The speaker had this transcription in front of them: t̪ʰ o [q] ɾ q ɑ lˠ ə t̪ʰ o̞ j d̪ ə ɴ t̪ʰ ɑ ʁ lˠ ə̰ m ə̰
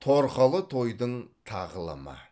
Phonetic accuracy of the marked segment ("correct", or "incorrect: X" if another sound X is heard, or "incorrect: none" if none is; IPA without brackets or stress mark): incorrect: none